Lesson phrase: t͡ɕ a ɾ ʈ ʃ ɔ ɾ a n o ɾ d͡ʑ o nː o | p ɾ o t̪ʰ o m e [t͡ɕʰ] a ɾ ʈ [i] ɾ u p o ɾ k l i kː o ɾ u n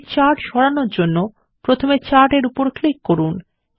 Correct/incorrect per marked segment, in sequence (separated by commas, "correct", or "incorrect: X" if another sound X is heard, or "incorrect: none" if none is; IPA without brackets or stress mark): incorrect: t͡ɕ, incorrect: e